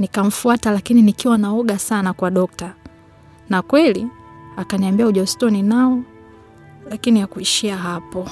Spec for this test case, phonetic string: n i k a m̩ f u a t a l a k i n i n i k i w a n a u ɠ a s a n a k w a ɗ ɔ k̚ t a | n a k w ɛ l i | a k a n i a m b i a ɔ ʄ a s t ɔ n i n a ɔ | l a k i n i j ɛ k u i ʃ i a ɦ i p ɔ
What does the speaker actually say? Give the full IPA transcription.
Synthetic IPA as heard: n i k a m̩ f u a t a l a k i n i n i k i w a n a ɔ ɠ a s a n a k w a ɗ ɔ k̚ t a | n a k w ɛ l i | a k a n i a m b i a u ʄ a s t ɔ n i n a ɔ | l a k i n i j a k u i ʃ i a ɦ a p ɔ